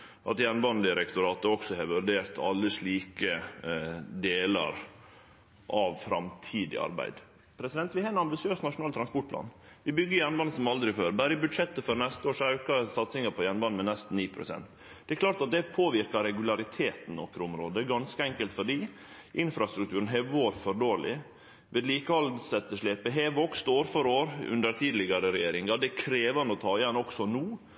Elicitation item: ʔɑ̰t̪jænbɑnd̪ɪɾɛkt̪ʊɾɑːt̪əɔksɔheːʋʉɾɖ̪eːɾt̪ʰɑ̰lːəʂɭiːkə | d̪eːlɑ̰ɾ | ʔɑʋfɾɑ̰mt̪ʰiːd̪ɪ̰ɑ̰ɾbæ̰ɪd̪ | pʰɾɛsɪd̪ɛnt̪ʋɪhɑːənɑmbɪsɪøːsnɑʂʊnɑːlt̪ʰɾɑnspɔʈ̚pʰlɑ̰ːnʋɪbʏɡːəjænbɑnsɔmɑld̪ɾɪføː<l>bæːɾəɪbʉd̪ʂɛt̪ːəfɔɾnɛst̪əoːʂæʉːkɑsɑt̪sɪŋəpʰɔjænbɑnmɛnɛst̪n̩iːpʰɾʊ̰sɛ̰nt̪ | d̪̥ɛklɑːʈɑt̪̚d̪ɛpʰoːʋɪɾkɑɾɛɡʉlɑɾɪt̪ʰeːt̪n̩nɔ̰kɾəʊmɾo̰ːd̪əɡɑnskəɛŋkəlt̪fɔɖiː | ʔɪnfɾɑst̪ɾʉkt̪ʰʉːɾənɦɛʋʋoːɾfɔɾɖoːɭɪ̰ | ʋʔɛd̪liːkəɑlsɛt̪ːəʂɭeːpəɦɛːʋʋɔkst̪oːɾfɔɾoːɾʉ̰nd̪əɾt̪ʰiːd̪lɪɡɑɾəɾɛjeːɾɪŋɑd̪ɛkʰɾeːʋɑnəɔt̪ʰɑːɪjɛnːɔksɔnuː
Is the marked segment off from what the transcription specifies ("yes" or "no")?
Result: yes